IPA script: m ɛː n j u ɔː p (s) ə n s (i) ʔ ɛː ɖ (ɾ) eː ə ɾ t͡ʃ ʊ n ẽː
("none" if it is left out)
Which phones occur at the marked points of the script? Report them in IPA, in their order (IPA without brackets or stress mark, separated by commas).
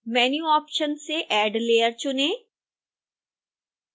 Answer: ʃ, e, l